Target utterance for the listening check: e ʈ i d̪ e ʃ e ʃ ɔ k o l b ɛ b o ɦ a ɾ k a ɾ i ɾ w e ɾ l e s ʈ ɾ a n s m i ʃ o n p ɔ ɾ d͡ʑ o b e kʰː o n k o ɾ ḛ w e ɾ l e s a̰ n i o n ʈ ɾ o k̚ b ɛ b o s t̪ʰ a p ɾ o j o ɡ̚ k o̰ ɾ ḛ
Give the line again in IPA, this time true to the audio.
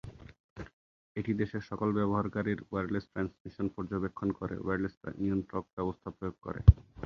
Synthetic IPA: e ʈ i d̪ e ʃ e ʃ ɔ k o l b ɛ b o ɦ a ɾ k a ɾ i ɾ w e ɾ l e s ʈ ɾ a n s m i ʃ o n p ɔ ɾ d͡ʑ o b e kʰː o n k o ɾ ḛ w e ɾ l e s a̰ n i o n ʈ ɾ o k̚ b ɛ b o s t̪ʰ a p ɾ o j o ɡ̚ k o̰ ɾ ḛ